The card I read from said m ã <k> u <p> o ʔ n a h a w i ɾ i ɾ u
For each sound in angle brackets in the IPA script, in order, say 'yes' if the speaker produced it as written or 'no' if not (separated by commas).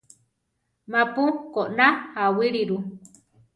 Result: no, no